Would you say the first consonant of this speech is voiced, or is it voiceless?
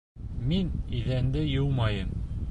voiced